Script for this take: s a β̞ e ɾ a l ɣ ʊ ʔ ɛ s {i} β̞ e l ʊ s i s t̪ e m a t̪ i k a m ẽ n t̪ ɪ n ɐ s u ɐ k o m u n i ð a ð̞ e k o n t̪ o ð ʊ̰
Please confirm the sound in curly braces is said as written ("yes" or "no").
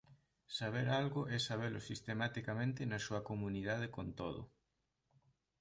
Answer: no